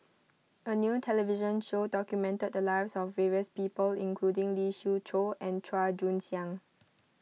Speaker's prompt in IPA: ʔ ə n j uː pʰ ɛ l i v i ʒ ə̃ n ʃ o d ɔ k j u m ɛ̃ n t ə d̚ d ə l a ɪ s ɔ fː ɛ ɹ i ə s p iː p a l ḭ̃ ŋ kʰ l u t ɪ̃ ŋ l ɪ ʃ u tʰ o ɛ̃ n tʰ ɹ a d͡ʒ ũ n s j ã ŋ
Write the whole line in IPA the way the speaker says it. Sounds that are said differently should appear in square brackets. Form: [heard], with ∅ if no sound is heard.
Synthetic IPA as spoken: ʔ ə n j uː [tʰ] ɛ l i v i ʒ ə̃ n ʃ o d ɔ k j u m ɛ̃ n t ə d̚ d ə l a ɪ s ɔ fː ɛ ɹ i ə s p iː p [ə] l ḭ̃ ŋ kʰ l u [d] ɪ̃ ŋ l [i] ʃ u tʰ o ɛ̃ n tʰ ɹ a d͡ʒ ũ n s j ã ŋ